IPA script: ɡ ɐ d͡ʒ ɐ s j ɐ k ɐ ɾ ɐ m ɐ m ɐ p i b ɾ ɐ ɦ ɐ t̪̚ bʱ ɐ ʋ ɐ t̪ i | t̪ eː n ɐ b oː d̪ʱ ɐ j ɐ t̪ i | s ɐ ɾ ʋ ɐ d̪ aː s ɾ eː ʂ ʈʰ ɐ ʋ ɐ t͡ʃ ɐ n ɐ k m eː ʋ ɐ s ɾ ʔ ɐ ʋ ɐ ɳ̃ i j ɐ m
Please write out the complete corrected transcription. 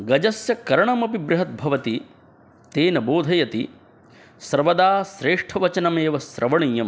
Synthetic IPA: ɡ ɐ d͡ʒ ɐ s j ɐ k ɐ ɾ ɐ ɳ ɐ m ɐ p i b ɾ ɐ ɦ ɐ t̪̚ bʱ ɐ ʋ ɐ t̪ i | t̪ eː n ɐ b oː d̪ʱ ɐ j ɐ t̪ i | s ɐ ɾ ʋ ɐ d̪ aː s ɾ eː ʂ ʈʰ ɐ ʋ ɐ t͡ʃ ɐ n ɐ m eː ʋ ɐ s ɾ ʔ ɐ ʋ ɐ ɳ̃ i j ɐ m